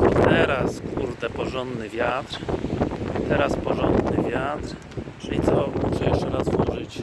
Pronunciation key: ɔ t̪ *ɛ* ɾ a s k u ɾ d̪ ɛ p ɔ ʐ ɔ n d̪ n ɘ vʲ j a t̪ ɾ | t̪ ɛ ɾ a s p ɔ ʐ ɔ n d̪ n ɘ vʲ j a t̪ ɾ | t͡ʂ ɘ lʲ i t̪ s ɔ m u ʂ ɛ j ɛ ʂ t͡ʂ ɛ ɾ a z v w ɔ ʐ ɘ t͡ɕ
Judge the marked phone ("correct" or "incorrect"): correct